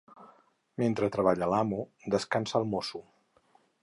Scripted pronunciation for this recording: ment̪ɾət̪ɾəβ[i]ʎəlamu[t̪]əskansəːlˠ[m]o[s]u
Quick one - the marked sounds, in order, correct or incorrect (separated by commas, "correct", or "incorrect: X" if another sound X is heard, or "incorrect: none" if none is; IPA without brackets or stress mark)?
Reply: incorrect: a, incorrect: d̪, correct, correct